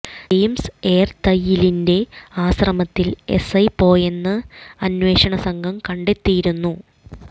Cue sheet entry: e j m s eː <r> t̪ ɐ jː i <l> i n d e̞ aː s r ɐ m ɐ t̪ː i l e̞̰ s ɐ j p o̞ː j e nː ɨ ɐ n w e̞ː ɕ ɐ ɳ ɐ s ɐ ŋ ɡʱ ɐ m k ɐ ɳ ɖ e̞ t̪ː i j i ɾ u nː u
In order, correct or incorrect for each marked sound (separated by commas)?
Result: correct, correct